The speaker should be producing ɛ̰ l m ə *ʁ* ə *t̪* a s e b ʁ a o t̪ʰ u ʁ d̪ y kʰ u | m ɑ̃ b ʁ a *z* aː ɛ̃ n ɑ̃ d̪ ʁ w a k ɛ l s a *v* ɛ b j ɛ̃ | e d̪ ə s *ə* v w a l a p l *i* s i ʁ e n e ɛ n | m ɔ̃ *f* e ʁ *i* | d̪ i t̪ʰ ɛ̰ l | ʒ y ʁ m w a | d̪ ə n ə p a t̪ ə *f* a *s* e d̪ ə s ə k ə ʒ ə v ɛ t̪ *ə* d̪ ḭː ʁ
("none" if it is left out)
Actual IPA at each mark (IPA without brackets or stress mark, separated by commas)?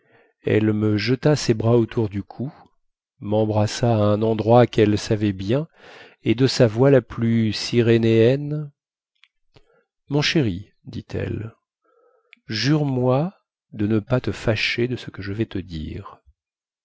ʒ, t̪, s, v, a, y, ʃ, i, f, ʃ, ə